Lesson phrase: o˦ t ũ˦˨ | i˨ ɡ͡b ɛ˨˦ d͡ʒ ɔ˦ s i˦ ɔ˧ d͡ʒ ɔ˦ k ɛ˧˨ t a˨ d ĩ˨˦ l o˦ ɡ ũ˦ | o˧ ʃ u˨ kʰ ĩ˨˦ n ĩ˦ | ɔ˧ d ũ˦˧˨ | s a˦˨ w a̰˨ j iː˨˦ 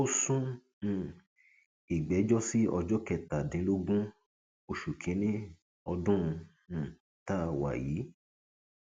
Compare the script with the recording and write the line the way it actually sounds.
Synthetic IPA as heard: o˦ s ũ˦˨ | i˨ ɡ͡b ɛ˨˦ d͡ʒ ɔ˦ s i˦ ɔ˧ d͡ʒ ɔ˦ k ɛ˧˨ t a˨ d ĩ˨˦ l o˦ ɡ ũ˦ | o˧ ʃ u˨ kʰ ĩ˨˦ n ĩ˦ | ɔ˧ d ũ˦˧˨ | t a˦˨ w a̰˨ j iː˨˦